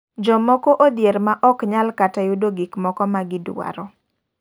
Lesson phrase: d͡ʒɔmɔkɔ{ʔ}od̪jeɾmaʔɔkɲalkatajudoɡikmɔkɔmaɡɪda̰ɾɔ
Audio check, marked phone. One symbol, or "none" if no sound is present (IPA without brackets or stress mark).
ʔ